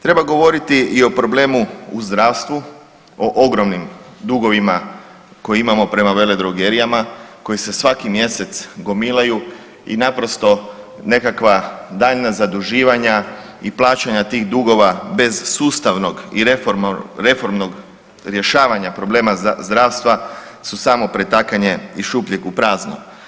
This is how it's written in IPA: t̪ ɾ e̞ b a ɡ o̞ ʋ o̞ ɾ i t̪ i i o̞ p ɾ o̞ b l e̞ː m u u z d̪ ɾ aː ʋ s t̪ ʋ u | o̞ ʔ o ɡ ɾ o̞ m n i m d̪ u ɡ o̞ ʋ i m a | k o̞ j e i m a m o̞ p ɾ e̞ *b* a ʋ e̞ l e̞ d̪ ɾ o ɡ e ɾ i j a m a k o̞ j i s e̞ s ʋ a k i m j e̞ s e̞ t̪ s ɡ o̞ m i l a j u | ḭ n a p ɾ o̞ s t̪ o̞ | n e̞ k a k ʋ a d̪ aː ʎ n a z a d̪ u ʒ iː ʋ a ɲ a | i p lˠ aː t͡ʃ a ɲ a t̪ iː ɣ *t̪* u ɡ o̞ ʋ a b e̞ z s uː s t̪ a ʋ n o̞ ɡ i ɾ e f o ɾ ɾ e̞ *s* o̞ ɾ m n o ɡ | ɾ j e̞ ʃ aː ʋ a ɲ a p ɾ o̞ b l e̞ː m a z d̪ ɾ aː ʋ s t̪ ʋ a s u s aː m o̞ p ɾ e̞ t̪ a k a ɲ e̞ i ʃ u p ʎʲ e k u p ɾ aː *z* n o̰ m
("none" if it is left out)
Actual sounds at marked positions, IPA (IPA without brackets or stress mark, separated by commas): m, d̪, f, z